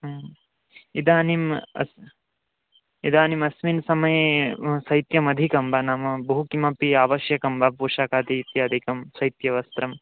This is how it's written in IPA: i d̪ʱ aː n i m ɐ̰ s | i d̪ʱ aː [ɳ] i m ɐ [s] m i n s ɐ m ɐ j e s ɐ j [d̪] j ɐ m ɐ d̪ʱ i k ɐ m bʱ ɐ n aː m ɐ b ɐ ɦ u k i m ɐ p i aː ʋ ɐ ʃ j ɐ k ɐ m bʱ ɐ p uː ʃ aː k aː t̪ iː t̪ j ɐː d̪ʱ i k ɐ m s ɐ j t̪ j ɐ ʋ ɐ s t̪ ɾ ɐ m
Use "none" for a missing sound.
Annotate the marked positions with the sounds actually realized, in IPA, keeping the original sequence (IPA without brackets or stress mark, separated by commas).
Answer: n, s, t̪